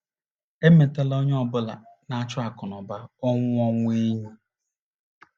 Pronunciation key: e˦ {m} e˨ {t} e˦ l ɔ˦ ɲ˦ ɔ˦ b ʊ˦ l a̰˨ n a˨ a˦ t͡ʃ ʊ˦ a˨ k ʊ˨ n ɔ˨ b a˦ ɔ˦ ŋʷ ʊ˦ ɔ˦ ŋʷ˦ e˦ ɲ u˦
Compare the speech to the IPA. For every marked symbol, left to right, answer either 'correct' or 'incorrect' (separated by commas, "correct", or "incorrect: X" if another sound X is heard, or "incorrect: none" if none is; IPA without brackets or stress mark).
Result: correct, correct